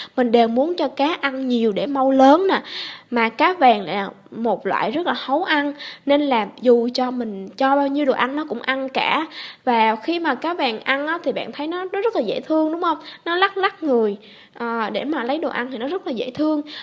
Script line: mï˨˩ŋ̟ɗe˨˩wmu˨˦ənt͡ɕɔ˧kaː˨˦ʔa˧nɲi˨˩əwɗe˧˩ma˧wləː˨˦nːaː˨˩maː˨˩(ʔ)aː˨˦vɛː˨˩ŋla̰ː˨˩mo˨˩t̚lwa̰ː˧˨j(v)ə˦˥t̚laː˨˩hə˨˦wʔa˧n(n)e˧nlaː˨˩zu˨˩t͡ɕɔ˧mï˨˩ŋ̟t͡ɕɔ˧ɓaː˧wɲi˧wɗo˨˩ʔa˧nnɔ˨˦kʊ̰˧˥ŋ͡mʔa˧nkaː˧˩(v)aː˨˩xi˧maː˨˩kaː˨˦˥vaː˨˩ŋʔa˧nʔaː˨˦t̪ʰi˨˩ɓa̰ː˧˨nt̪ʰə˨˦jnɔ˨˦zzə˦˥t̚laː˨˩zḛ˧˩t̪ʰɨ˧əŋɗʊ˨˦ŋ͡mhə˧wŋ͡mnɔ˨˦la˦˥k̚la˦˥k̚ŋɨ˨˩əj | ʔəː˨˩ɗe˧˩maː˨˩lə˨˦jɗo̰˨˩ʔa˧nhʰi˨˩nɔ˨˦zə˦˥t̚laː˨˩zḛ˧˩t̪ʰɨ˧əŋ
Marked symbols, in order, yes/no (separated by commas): no, no, yes, yes